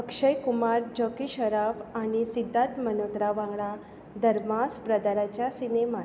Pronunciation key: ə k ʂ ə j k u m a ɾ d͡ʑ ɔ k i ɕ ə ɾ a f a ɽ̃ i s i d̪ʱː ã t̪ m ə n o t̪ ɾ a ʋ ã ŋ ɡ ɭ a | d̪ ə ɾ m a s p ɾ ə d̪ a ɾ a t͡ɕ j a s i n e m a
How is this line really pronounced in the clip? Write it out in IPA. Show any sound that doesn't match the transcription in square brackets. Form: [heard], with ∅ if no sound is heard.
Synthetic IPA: ə k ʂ ə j k u m a ɾ d͡ʑ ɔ k i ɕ ə ɾ a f a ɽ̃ i s i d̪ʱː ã t̪ m ə n o t̪ ɾ a ʋ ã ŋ ɡ ɭ a | d̪ ə ɾ m a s p ɾ ə d̪ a ɾ a t͡ɕ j a s i n e m a

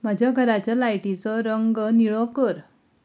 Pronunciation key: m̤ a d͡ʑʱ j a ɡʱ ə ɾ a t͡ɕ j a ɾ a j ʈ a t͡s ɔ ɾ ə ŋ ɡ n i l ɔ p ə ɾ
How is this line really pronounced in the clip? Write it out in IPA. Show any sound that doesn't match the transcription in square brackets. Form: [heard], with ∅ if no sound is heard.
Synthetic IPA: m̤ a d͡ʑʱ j a ɡʱ ə ɾ a t͡ɕ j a [l] a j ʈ [i] t͡s ɔ ɾ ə ŋ ɡ n i [ɭ] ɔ [k] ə ɾ

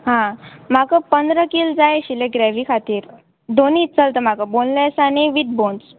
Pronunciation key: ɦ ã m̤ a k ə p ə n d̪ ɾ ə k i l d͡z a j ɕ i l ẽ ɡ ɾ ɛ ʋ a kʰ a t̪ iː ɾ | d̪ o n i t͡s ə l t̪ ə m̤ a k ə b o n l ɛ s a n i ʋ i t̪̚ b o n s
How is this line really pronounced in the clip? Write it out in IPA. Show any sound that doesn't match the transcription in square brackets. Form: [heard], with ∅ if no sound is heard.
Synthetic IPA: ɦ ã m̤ a k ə p ə n d̪ ɾ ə k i l d͡z a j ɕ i l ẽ ɡ ɾ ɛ ʋ [i] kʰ a t̪ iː ɾ | d̪ o n i t͡s ə l t̪ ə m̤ a k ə b o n l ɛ s a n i ʋ i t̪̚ b o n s

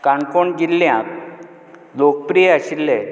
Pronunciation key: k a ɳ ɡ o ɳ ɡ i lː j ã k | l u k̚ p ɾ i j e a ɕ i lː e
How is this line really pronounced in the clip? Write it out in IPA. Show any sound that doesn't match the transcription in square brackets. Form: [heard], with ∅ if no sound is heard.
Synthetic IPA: k a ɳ [k] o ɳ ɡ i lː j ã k | l [o] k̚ p ɾ i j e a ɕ i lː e

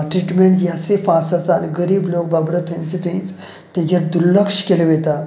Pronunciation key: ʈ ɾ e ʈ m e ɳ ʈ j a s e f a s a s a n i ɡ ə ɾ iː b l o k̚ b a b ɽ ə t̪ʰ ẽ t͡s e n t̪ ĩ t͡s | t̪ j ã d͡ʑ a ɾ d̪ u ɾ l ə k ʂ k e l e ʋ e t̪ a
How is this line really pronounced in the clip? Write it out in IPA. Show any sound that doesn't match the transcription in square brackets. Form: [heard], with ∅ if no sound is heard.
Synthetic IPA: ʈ ɾ [i] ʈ m e ɳ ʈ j a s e f a s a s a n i ɡ ə ɾ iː b l o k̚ b a b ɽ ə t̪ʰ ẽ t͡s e [∅] t̪ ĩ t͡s | t̪ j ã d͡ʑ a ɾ d̪ u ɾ l ə k ʂ k e l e ʋ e t̪ a

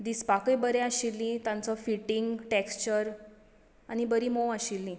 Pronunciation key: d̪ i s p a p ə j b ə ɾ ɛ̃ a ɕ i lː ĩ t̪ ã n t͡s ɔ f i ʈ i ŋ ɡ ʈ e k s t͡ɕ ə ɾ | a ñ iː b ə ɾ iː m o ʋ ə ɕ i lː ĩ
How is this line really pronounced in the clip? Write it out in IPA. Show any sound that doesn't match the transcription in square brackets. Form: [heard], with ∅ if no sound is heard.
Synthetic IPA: d̪ i s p a [k] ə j b ə ɾ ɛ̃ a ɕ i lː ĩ t̪ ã n t͡s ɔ f i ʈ i ŋ ɡ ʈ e k s t͡ɕ ə ɾ | a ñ [i] b ə ɾ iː m o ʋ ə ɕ i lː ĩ

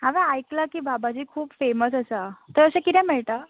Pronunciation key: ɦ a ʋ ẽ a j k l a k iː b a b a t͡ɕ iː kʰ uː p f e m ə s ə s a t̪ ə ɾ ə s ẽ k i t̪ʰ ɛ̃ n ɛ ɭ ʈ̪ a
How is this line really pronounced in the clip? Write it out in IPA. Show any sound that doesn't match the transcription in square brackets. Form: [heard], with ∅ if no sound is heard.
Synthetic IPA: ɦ a ʋ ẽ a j k l a k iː b a b a t͡ɕ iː kʰ uː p f e m ə s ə s a t̪ ə ɾ ə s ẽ k i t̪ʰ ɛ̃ [m] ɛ ɭ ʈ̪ a

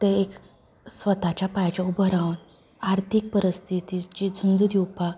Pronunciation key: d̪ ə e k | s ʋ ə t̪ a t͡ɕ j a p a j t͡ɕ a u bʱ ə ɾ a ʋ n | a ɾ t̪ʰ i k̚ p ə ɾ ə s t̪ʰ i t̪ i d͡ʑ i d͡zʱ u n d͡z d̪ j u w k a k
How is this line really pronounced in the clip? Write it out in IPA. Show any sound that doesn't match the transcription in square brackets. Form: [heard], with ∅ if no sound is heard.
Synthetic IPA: [t̪] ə e k | s ʋ ə t̪ a t͡ɕ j a p a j t͡ɕ a u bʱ ə ɾ a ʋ n | a ɾ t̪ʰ i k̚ p ə ɾ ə s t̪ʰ i t̪ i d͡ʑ i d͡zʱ u n d͡z d̪ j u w [p] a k

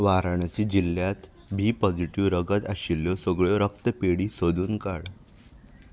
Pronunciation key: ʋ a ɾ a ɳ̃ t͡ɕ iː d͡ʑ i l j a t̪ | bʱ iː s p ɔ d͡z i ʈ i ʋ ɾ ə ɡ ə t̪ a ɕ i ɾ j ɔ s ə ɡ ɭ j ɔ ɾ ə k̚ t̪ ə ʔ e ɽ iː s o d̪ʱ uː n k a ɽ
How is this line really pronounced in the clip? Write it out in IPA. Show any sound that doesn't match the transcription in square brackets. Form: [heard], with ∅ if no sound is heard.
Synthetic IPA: ʋ a ɾ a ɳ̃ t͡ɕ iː d͡ʑ i l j a t̪ | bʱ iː [∅] p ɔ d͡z i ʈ i ʋ ɾ ə ɡ ə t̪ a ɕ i [l] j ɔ s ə ɡ ɭ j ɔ ɾ ə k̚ t̪ ə [p] e ɽ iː s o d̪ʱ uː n k a ɽ

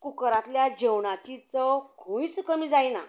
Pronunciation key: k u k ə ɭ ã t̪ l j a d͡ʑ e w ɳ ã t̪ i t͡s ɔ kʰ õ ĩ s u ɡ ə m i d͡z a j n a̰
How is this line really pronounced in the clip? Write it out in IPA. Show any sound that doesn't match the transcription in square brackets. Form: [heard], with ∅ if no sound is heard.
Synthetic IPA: k u k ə [ɾ] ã t̪ l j a d͡ʑ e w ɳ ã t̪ i t͡s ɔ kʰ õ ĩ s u [k] ə m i d͡z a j n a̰

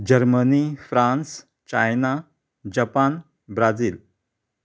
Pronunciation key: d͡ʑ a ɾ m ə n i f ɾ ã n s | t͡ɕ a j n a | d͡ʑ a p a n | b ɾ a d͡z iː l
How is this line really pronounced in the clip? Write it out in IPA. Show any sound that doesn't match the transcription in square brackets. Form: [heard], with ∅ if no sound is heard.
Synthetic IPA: d͡ʑ [ə] ɾ m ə n i f ɾ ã n s | t͡ɕ a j n a | d͡ʑ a p a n | b ɾ a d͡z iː l

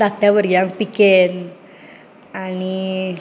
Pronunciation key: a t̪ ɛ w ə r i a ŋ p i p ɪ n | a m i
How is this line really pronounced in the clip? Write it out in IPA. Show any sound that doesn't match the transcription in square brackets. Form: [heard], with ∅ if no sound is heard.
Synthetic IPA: a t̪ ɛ w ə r [j] a ŋ p i [k] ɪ n | a [n] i

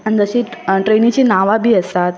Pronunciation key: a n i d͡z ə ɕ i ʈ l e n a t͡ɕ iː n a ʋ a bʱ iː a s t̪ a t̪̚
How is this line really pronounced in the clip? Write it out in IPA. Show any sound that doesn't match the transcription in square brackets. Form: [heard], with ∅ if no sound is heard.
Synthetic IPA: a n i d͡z ə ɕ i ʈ [ɾ] e n [i] t͡ɕ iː n a ʋ a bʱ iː [ə] s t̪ a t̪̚

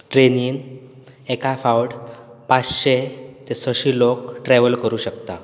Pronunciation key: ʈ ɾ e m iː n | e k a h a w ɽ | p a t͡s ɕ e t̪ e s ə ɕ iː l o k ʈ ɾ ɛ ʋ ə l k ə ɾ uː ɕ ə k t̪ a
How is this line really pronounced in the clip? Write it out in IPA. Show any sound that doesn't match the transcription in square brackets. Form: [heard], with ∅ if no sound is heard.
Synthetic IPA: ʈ ɾ e [n] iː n | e k a [f] a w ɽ | p a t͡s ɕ e t̪ e s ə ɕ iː l o k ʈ ɾ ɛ ʋ ə l k ə ɾ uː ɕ ə k t̪ a

